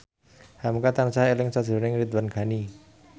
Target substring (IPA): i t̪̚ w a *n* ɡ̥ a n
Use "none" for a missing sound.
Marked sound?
n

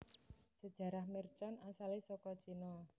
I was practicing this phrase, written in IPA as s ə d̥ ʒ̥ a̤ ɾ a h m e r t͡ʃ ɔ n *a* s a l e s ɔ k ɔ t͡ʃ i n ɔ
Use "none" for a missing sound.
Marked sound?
a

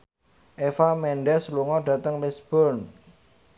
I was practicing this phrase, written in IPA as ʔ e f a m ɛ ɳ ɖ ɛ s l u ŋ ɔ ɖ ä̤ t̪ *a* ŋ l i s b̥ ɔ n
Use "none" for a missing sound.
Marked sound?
ə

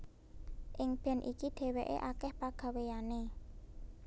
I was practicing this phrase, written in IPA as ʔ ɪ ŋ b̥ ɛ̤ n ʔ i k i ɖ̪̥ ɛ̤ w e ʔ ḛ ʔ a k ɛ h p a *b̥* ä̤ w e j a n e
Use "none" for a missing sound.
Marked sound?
ɡ̥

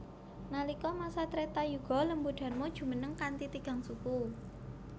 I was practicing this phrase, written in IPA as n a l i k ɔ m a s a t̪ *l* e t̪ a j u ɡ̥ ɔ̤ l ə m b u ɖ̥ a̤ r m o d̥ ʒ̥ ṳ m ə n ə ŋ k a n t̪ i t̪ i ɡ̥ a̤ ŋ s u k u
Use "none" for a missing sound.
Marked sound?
ɾ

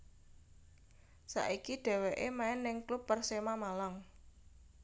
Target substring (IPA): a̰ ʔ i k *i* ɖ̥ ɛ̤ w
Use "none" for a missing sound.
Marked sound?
i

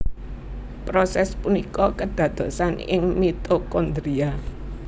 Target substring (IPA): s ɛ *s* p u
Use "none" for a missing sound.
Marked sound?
s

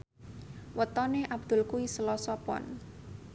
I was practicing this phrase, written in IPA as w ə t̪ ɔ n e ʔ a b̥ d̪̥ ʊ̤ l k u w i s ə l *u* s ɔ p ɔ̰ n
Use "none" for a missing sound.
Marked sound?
ɔ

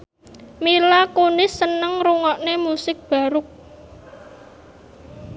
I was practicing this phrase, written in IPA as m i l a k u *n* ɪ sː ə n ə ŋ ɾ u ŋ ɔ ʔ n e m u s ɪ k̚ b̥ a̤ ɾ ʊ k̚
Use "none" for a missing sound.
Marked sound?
n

